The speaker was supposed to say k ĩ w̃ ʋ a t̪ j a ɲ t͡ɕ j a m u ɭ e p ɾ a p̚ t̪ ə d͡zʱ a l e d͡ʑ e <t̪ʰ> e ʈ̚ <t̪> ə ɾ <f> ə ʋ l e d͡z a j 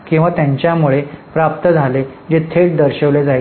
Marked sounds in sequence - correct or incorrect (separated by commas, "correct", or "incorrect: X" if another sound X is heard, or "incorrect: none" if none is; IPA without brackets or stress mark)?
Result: correct, incorrect: d̪, incorrect: ɕ